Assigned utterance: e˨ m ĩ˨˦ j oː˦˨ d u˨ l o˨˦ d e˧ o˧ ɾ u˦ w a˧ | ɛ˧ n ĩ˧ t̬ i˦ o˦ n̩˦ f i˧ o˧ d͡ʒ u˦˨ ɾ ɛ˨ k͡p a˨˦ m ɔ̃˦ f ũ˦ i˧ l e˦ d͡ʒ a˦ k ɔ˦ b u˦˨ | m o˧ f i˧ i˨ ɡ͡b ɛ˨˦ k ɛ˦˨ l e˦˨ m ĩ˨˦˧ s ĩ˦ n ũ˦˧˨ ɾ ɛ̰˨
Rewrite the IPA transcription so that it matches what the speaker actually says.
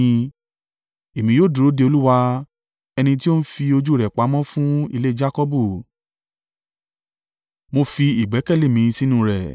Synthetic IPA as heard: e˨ m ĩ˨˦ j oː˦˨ d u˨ ɾ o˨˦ d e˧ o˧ l u˦ w a˧ | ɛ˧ n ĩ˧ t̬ i˦ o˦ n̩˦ f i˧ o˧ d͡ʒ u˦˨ ɾ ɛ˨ k͡p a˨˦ m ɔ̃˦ f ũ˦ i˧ l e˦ d͡ʒ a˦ k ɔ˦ b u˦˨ | m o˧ f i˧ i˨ ɡ͡b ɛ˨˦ k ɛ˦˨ l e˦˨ m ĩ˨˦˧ s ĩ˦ n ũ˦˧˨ ɾ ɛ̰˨